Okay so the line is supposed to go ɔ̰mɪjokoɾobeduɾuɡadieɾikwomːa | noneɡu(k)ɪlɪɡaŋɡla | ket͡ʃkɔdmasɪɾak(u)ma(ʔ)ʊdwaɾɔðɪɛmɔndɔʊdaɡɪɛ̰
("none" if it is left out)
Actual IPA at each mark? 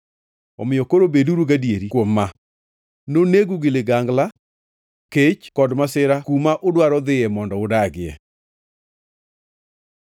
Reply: ɡ, u, ʔ

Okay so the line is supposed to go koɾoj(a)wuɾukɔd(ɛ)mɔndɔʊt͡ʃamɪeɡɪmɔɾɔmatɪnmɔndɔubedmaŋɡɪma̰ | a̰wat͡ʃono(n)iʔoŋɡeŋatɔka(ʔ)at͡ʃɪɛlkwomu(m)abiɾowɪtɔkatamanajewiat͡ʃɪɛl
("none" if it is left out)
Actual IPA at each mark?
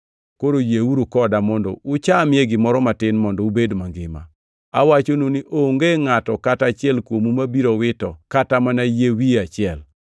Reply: e, a, n, t, m

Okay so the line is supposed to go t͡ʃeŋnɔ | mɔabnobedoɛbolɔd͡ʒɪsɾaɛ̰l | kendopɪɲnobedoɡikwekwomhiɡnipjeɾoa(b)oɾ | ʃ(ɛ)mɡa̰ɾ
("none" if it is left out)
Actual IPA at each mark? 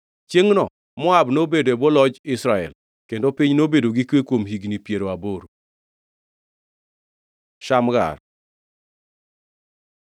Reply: b, a

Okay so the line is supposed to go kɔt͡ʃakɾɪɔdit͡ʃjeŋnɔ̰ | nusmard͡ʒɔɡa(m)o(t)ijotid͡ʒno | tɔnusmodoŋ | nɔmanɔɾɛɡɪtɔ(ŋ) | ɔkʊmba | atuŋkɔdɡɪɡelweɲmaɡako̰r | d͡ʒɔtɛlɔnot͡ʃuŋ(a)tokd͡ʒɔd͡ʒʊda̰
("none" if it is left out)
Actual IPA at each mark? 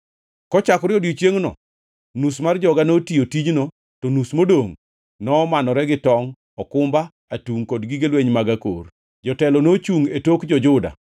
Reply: n, t, ŋ, e

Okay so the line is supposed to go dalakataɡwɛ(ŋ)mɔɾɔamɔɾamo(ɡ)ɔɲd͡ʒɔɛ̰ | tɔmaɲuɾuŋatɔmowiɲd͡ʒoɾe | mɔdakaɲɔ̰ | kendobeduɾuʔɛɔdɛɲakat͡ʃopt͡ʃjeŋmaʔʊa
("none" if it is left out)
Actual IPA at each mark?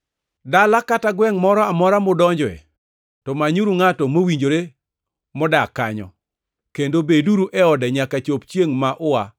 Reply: ŋ, d

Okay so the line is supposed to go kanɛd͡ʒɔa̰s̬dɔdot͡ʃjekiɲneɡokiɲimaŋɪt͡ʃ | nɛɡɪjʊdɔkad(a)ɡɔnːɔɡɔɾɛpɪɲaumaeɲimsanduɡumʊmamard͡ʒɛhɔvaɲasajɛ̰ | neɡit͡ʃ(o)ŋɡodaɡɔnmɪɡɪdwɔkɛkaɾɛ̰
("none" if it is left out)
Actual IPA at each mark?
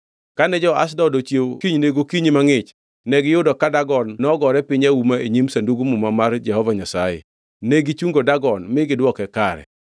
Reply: a, u

